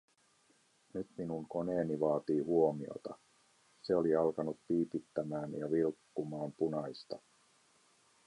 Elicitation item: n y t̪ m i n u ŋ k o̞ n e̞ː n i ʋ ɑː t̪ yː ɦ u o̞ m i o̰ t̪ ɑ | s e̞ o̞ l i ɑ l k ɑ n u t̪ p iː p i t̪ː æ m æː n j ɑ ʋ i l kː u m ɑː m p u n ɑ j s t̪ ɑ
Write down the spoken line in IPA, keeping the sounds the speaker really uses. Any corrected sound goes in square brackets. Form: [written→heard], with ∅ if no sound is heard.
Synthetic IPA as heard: n y t̪ m i n u ŋ k o̞ n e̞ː n i ʋ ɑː t̪ [yː→iː] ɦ u o̞ m i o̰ t̪ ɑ | s e̞ o̞ l i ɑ l k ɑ n u t̪ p iː p i t̪ː æ m æː n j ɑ ʋ i l kː u m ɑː m p u n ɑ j s t̪ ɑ